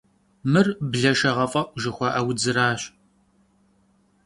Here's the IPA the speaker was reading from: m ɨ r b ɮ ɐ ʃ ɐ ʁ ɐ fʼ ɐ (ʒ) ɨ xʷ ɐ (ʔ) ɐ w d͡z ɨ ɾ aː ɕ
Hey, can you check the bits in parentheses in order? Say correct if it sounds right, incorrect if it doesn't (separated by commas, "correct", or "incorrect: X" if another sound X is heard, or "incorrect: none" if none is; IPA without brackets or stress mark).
correct, correct